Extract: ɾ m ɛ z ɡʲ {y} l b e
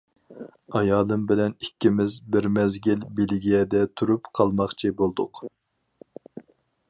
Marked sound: incorrect: i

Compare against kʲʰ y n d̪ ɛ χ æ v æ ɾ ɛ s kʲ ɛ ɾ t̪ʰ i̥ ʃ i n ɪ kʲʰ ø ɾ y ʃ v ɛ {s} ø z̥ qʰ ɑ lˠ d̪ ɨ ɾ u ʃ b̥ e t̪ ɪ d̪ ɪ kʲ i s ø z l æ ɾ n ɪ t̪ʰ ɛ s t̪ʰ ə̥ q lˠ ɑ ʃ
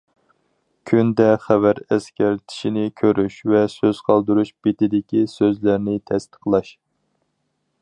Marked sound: correct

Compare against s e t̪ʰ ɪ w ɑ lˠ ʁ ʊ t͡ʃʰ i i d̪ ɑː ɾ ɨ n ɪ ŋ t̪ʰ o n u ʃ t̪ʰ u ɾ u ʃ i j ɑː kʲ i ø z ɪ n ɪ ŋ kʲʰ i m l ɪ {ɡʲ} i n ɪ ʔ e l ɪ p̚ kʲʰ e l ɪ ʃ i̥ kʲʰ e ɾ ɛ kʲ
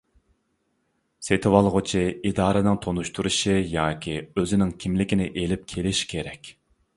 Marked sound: incorrect: kʲ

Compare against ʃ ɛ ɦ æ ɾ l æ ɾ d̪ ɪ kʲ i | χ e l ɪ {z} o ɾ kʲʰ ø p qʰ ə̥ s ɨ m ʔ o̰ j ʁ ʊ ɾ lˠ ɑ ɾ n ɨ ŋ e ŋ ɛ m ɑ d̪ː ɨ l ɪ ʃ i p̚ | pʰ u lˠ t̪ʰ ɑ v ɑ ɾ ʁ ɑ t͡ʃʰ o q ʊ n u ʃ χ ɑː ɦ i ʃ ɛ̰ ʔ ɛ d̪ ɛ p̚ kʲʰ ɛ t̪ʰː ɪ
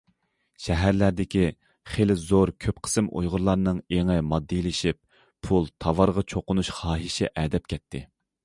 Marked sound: correct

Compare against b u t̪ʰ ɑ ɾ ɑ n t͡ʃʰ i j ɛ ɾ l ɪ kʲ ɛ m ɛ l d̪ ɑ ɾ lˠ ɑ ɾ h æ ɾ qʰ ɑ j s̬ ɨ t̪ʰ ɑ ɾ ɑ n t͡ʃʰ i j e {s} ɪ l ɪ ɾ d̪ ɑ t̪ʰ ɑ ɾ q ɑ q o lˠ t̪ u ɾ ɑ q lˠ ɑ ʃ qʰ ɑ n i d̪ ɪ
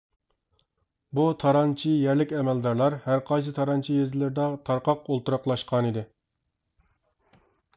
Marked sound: incorrect: z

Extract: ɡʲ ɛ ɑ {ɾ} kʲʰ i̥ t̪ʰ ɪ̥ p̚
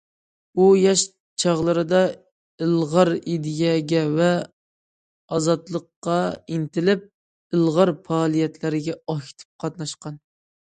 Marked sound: incorrect: none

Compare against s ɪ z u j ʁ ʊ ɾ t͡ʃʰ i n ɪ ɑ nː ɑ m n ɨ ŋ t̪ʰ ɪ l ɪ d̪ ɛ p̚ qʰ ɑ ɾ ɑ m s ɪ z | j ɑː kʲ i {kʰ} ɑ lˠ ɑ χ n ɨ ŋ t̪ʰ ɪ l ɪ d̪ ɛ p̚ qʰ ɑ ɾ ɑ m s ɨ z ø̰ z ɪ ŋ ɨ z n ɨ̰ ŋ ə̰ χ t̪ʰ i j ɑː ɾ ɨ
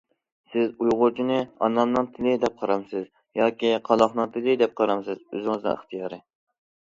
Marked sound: incorrect: qʰ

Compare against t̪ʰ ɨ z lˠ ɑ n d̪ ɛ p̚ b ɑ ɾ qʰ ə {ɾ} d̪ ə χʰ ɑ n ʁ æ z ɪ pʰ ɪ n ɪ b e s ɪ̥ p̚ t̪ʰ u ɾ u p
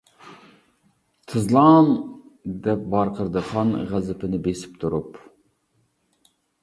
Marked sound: correct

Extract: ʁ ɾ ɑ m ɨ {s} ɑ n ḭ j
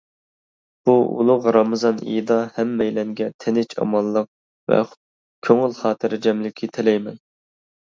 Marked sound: incorrect: z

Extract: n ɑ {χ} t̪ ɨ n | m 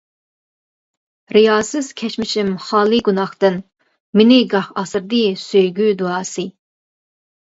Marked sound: correct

